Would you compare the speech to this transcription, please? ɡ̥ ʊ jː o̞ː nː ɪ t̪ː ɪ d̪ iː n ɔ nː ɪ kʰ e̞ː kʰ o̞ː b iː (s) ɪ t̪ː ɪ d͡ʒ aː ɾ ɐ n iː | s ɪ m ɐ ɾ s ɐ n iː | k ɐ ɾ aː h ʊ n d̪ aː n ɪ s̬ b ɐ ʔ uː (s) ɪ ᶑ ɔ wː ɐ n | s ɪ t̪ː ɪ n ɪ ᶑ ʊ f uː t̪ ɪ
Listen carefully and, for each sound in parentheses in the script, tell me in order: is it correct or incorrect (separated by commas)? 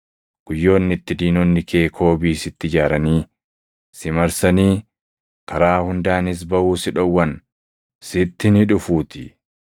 correct, correct